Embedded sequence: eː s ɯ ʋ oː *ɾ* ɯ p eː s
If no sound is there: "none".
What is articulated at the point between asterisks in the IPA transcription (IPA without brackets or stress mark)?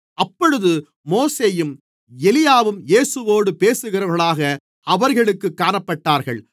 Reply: ɽ